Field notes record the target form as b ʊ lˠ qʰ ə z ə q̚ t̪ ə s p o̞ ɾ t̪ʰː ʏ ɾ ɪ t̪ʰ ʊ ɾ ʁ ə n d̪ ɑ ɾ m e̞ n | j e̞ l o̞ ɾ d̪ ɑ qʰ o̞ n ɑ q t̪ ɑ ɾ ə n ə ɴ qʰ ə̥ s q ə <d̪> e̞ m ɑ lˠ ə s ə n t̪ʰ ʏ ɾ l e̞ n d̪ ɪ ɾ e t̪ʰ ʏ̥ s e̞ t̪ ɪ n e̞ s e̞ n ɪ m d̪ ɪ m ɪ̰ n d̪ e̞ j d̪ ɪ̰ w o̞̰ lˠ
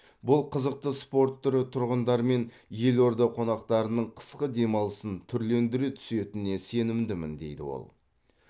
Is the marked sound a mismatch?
no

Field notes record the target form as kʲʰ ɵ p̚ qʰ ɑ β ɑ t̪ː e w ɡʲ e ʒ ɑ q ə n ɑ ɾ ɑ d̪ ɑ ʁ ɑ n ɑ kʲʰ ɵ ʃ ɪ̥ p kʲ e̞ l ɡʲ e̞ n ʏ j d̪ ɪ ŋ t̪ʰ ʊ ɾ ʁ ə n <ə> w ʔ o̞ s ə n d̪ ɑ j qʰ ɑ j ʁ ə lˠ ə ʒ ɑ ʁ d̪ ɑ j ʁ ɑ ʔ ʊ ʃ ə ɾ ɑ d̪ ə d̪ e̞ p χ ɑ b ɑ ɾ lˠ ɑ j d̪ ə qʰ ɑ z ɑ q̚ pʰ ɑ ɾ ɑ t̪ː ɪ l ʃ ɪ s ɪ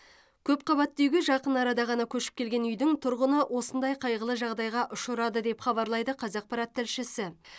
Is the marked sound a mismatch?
no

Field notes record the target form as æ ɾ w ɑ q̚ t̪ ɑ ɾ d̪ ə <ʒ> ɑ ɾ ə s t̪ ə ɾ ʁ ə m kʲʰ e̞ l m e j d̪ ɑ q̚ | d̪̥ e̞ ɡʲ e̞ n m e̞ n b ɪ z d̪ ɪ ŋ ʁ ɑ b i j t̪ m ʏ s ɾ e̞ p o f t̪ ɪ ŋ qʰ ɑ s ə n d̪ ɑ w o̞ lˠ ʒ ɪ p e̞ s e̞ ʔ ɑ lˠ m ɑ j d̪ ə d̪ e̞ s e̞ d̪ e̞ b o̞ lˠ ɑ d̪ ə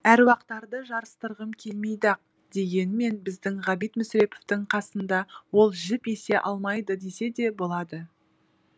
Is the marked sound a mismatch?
no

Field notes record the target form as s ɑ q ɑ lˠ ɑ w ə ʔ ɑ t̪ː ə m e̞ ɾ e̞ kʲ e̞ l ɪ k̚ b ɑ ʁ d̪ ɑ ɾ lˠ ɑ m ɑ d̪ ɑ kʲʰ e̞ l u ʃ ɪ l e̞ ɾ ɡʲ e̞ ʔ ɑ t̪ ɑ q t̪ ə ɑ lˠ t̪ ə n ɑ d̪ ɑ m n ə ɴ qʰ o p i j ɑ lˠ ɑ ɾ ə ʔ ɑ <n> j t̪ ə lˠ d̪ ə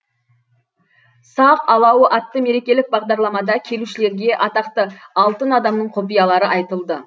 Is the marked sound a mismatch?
yes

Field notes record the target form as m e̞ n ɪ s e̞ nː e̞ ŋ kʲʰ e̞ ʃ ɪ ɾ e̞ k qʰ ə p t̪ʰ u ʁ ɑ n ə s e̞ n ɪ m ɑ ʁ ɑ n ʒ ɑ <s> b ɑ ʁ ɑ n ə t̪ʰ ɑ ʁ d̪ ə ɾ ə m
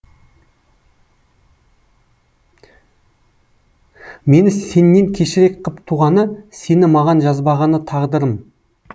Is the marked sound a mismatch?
yes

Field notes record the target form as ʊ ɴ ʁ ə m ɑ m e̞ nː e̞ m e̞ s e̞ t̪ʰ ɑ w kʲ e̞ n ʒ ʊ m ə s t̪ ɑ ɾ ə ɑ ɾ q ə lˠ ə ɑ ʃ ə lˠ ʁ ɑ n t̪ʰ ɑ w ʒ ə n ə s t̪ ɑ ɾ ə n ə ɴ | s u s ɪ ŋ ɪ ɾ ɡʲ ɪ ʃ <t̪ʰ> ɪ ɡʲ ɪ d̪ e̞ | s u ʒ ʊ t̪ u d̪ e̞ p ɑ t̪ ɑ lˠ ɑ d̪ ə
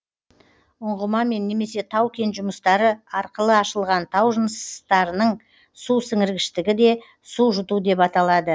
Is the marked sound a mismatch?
yes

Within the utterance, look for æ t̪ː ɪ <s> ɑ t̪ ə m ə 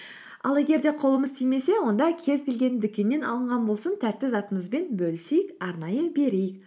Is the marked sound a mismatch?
yes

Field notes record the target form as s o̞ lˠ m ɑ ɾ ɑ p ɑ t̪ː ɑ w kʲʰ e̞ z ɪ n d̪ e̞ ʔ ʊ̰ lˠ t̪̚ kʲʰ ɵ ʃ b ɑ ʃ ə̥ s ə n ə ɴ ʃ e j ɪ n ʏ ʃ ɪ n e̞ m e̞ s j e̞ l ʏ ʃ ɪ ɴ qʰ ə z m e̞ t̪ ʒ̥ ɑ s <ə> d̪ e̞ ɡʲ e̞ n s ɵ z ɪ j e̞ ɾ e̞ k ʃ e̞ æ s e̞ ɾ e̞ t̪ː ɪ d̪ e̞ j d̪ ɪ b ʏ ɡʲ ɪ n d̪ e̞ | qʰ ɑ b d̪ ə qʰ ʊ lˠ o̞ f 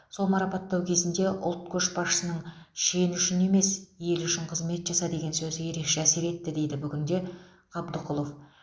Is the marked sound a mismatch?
yes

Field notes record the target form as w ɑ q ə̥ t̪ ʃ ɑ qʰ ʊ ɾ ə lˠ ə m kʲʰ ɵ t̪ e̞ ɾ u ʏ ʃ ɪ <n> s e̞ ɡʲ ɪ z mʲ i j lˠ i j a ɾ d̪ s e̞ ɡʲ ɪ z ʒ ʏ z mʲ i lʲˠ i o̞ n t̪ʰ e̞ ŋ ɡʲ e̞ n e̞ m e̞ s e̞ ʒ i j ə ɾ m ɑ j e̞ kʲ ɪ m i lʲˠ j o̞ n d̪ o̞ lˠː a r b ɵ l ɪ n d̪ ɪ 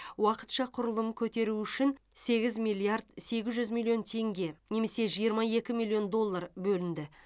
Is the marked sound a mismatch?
no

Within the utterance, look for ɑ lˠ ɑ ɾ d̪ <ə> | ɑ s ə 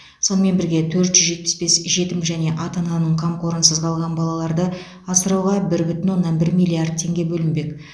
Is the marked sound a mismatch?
no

